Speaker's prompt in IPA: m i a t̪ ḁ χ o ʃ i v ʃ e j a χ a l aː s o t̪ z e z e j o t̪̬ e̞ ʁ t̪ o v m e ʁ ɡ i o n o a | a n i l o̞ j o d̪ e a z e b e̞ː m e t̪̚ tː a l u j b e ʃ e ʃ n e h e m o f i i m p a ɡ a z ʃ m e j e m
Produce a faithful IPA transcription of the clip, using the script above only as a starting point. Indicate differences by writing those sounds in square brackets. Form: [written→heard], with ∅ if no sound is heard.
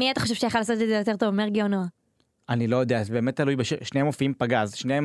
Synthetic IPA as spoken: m i a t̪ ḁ χ o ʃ [i→e] v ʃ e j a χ a l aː s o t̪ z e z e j o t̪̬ e̞ ʁ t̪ o v m e ʁ ɡ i o n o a | a n i l o̞ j o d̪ e a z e b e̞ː m e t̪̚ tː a l u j b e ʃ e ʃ n e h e m o f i i m p a ɡ a z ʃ [m→n] e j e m